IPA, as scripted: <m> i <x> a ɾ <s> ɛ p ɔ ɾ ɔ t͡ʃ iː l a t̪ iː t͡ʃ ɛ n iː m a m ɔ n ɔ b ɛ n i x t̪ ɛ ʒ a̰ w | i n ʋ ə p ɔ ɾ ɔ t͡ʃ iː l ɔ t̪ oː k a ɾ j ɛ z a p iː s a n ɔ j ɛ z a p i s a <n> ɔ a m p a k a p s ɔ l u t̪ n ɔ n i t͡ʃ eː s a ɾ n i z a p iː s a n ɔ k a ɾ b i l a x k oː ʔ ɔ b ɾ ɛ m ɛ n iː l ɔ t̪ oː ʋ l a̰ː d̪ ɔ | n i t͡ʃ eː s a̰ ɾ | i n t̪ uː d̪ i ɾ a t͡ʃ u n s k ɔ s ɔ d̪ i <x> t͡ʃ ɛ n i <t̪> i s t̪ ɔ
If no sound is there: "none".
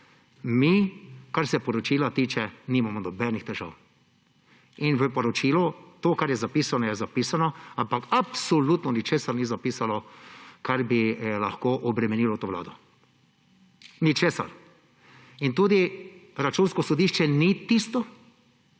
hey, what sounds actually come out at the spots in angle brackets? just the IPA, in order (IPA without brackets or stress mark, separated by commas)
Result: m, k, s, n, ʃ, t̪